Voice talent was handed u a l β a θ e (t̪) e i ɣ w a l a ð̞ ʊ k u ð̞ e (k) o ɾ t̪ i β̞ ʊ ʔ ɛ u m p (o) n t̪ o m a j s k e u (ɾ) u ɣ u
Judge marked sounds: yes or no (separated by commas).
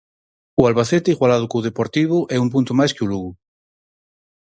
yes, no, no, no